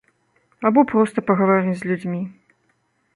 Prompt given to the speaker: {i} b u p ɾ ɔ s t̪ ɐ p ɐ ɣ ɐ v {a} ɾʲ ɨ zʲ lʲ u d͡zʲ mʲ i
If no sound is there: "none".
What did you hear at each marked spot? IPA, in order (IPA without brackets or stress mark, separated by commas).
a, a